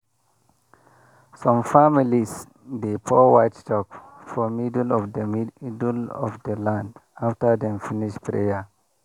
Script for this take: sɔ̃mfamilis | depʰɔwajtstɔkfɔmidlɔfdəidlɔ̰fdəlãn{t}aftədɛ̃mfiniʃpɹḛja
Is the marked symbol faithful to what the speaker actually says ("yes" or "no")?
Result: no